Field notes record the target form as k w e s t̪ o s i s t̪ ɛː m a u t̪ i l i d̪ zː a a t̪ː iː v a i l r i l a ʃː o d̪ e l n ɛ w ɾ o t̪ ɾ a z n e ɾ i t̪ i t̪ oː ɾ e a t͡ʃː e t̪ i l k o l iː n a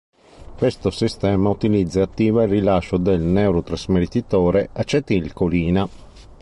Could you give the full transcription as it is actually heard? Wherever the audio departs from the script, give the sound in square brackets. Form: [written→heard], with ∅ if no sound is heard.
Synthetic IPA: k w e s t̪ o s i s t̪ ɛː m a u t̪ i l i d̪ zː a a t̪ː iː v a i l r i l a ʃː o d̪ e l n ɛ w ɾ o t̪ ɾ a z [n→m] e ɾ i t̪ i t̪ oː ɾ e a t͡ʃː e t̪ i l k o l iː n a